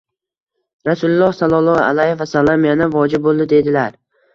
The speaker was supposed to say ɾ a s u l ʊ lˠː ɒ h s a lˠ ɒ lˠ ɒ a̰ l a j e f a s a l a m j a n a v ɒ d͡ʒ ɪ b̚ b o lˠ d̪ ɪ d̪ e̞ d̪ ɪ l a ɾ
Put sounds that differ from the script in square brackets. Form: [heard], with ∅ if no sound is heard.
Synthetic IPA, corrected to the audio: ɾ a s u l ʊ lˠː ɒ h s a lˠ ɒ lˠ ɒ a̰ l a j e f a s a l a m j a n a v ɒ d͡ʒ ɪ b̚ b o lˠ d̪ ɪ d̪ e̞ d̪ ɪ l a ɾ